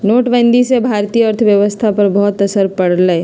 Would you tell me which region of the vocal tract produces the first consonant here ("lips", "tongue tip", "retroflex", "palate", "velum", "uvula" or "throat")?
tongue tip